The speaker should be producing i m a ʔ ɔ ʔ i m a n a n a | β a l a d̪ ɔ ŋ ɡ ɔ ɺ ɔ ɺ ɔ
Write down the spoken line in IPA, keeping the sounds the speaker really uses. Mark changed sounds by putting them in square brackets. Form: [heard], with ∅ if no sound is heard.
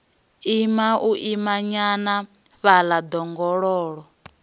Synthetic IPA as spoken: i m a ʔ [u] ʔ i m a [ɲ] a n a | β a l a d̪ ɔ ŋ ɡ ɔ ɺ [ɔː] ɺ ɔ